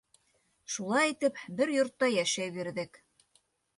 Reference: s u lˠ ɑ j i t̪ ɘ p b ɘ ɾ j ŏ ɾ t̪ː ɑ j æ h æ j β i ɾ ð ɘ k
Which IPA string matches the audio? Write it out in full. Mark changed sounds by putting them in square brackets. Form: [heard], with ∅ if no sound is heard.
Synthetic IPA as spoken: [ʃ] u lˠ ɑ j i t̪ ɘ p b ɘ ɾ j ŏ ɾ t̪ː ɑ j æ [ʃ] æ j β i ɾ ð ɘ k